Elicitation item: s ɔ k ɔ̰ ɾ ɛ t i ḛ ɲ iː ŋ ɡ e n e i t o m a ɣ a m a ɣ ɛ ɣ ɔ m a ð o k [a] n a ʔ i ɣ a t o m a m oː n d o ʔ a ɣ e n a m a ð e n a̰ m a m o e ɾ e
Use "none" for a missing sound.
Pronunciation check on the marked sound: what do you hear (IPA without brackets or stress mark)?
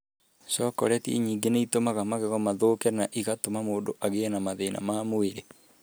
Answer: ɛ